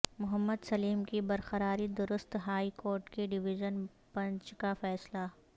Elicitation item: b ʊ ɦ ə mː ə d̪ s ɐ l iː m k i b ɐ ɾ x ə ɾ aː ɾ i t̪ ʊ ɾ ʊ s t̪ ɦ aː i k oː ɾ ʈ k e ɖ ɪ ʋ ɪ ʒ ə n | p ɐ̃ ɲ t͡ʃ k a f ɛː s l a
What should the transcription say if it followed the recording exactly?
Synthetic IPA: m ʊ ɦ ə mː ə d̪ s ɐ l iː m k i b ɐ ɾ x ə ɾ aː ɾ i d̪ ʊ ɾ ʊ s t̪ ɦ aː i k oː ɾ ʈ k e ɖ ɪ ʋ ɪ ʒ ə n | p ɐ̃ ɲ t͡ʃ k a f ɛː s l a